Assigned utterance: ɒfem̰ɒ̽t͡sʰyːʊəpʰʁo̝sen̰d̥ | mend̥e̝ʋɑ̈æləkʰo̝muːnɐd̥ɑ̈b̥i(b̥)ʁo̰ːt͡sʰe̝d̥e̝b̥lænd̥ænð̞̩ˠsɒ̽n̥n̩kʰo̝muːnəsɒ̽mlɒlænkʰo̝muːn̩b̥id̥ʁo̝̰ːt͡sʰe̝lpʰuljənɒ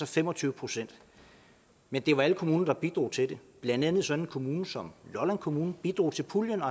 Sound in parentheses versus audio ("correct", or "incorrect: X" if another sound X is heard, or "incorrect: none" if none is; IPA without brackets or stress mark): incorrect: d̥